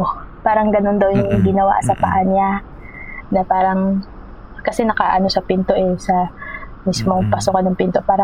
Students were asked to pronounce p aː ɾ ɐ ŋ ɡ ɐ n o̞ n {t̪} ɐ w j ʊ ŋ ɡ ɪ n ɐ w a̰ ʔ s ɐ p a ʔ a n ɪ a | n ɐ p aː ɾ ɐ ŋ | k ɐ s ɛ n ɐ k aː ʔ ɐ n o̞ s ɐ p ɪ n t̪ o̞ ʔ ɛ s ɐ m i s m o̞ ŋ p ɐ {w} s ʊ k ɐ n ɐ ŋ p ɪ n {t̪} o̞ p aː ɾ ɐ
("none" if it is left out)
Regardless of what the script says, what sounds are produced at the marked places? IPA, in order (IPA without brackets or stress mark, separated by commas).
d̪, none, t̪